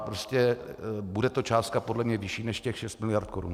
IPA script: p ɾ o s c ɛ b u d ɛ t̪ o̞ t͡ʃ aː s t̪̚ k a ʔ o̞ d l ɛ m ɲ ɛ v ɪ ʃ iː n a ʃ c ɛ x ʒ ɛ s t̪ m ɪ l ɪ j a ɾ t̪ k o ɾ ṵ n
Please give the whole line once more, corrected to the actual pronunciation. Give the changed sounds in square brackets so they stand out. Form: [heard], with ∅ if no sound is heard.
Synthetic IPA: p ɾ o s c ɛ b u d ɛ t̪ o̞ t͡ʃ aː s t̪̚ k a [p] o̞ d l ɛ m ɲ ɛ v ɪ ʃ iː n [ɛ] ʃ c ɛ x [ʃ] ɛ s t̪ m ɪ l ɪ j a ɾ t̪ k o ɾ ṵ n